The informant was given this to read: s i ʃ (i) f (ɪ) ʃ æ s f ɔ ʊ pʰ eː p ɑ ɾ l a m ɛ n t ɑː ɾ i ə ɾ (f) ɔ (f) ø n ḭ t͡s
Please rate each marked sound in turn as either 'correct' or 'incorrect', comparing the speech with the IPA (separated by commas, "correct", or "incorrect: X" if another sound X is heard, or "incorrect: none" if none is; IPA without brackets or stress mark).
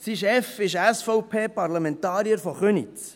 incorrect: ɛ, correct, correct, incorrect: χ